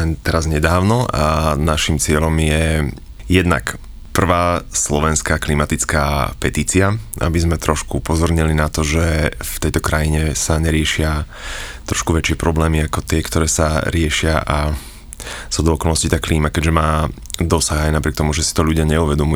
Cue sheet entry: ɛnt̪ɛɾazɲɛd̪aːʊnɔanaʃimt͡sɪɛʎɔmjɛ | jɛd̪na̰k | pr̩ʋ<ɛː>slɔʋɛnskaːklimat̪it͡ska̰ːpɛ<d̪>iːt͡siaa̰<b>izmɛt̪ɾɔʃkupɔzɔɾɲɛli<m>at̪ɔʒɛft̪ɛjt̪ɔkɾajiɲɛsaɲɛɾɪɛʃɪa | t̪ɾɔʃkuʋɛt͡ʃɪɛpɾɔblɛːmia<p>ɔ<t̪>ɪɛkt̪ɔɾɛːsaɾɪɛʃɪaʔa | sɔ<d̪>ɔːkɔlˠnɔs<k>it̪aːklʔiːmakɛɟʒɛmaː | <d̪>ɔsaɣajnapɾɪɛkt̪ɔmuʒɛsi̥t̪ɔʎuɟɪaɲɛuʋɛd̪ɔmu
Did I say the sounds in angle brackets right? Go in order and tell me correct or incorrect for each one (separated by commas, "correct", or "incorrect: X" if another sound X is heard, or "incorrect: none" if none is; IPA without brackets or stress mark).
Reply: incorrect: aː, incorrect: t̪, correct, incorrect: n, incorrect: k, correct, correct, incorrect: c, correct